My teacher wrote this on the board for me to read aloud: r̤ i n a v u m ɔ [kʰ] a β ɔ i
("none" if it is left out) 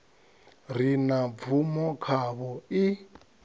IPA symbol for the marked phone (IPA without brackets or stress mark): kʰ